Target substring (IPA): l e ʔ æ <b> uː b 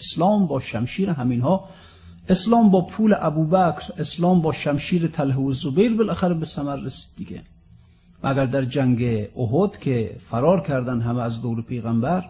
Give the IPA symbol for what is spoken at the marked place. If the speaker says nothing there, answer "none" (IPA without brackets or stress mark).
b